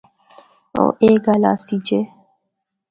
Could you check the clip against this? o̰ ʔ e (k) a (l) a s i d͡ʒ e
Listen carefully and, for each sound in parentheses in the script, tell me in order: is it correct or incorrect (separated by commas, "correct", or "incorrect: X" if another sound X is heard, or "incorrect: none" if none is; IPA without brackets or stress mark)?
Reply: incorrect: ɡ, correct